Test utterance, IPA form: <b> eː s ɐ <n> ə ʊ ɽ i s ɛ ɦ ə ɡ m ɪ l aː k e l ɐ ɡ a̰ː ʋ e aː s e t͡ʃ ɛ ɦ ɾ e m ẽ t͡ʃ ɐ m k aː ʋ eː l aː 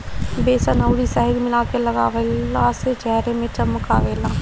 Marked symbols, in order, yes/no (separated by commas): yes, yes